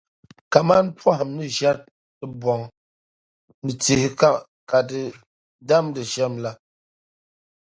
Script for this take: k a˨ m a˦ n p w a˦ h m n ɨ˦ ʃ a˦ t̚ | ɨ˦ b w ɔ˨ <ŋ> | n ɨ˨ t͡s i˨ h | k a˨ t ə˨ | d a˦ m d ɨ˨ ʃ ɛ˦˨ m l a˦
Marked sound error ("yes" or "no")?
no